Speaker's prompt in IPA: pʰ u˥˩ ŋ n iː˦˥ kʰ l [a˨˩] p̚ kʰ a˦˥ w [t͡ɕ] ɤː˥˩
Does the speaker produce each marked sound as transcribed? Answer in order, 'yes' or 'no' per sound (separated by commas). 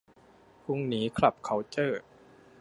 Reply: yes, yes